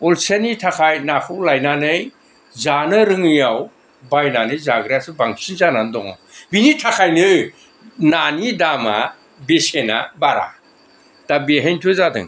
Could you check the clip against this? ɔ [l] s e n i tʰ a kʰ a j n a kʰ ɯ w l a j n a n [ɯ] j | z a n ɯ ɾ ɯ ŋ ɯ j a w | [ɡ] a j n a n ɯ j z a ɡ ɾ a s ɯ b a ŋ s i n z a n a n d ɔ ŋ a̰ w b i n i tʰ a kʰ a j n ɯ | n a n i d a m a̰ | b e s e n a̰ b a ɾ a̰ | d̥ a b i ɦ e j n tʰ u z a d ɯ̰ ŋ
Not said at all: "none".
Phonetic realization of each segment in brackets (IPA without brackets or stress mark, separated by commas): l, ɯ, b